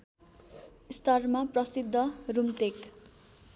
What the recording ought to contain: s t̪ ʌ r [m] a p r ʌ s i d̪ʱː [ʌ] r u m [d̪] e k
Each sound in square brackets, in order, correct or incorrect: correct, correct, incorrect: t̪

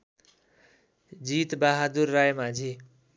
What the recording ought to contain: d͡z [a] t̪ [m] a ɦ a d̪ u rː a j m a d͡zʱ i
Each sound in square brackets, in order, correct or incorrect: incorrect: i, incorrect: b

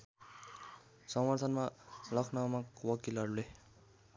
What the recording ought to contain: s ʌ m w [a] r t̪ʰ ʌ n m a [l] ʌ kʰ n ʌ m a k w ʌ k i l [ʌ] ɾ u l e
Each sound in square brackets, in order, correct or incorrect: incorrect: ʌ, correct, correct

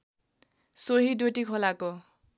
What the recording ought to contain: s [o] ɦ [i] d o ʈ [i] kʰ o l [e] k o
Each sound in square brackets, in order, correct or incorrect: correct, correct, correct, incorrect: a

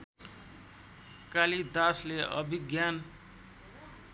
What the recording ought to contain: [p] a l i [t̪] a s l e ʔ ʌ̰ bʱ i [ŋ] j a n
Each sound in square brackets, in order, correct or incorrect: incorrect: k, incorrect: d̪, incorrect: ɡ

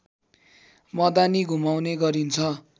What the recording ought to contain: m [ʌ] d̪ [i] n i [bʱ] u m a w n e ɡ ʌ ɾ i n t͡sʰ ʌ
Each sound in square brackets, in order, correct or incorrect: correct, incorrect: a, incorrect: ɡʱ

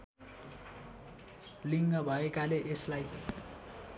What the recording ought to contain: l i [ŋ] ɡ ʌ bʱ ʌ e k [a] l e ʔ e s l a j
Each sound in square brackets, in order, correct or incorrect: correct, correct

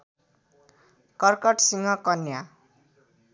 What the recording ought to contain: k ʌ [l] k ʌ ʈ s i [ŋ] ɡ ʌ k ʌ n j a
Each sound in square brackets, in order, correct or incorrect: incorrect: r, correct

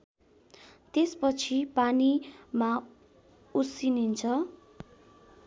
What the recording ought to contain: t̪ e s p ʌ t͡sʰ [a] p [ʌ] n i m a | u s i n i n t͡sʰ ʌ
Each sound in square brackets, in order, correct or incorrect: incorrect: i, incorrect: a

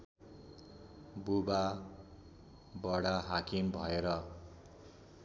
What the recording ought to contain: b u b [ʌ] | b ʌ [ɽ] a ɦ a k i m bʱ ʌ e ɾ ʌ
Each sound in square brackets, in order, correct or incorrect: incorrect: a, correct

